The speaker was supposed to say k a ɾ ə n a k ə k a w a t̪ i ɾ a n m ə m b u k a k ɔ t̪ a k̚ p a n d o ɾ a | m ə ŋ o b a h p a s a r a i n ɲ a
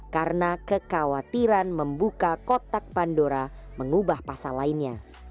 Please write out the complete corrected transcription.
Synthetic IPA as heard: k a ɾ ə n a k ə k a w a t̪ i ɾ a n m ə m b u k a k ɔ t̪ a k̚ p a n d o ɾ a | m ə ŋ u b a h p a s a l a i n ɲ a